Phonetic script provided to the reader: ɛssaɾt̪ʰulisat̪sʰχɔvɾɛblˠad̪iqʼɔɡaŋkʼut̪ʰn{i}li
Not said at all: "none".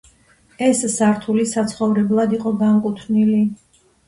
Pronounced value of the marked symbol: i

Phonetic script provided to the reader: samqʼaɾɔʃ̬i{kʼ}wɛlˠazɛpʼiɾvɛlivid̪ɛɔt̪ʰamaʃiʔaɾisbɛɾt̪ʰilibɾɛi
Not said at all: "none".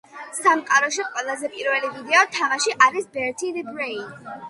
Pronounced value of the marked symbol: qʼ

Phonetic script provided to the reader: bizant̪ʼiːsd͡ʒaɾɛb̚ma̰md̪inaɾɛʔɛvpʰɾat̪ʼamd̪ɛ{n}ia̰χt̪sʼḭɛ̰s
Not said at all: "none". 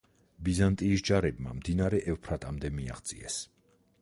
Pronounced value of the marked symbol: m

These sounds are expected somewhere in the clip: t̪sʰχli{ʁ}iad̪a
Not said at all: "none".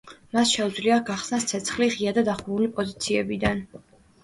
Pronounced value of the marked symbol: ʁ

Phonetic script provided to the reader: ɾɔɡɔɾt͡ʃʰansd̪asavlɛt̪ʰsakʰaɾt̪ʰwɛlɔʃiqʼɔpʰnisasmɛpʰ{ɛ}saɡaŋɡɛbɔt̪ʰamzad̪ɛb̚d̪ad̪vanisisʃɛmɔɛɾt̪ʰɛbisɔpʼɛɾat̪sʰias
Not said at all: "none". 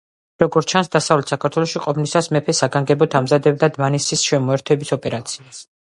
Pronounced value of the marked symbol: ɛ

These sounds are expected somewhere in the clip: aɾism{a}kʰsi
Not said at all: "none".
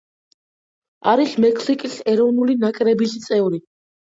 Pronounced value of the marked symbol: ɛ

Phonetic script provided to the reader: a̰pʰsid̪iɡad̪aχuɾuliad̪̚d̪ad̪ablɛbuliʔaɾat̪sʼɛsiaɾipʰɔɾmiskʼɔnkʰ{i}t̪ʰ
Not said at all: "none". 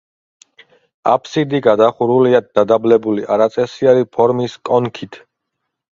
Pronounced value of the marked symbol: i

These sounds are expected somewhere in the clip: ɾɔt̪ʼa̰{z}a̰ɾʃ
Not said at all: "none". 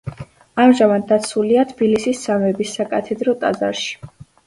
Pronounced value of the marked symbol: z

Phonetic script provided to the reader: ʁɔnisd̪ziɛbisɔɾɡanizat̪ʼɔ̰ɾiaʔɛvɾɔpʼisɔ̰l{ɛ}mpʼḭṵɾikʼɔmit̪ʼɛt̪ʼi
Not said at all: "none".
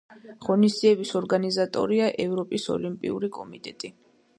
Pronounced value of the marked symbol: i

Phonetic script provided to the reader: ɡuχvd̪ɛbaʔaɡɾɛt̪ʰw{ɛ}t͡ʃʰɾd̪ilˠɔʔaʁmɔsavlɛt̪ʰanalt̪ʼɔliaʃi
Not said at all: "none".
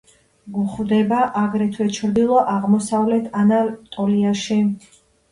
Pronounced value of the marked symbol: ɛ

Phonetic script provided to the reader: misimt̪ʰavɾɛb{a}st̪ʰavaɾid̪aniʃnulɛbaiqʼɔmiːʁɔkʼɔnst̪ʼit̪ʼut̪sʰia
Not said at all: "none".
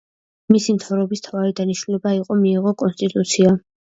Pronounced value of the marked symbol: i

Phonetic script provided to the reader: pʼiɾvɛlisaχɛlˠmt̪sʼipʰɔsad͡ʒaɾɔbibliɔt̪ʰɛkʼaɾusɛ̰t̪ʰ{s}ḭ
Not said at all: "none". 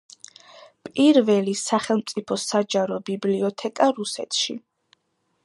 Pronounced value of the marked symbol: ʃ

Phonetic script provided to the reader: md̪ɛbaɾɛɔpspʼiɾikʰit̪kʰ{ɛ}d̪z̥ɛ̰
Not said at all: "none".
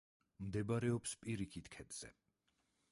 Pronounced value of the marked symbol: ɛ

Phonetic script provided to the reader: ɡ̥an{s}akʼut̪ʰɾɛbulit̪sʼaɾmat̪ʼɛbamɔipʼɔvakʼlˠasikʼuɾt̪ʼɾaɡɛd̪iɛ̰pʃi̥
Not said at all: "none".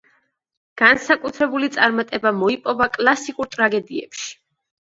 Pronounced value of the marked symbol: s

